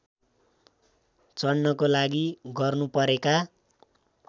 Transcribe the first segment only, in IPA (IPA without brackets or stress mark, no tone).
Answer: t͡s